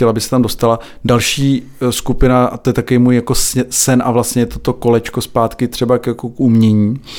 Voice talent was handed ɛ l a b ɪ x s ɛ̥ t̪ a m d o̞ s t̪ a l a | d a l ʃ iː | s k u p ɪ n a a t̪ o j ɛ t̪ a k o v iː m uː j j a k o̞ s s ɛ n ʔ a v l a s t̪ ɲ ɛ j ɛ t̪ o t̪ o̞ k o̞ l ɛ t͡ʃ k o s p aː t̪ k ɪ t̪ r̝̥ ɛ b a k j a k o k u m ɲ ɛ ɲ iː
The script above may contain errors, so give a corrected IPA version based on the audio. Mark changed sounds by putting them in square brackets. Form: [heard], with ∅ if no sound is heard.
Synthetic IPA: ɛ l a b ɪ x s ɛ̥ t̪ a m d o̞ s t̪ a l a | d a l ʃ iː | s k u p ɪ n a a t̪ o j ɛ t̪ a k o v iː m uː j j a k o̞ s s ɛ n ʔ a v l a s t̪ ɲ ɛ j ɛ t̪ o t̪ o̞ k o̞ l ɛ t͡ʃ k o s p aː t̪ k ɪ t̪ r̝̥ ɛ b a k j a k o k u m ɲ ɛ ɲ iː